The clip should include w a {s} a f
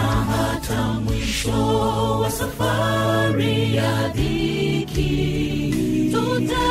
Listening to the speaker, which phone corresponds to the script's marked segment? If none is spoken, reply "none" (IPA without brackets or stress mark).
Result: s